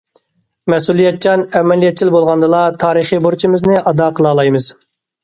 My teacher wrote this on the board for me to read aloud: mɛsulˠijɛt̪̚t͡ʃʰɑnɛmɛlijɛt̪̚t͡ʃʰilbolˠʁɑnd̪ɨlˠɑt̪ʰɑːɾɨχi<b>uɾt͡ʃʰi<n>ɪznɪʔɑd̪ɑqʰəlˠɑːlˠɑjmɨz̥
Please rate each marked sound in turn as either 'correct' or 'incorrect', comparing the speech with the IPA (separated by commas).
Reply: correct, incorrect